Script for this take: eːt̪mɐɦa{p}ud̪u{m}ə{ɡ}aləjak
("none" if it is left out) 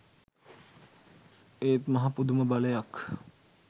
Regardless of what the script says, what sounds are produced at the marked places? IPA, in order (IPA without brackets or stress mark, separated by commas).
p, m, b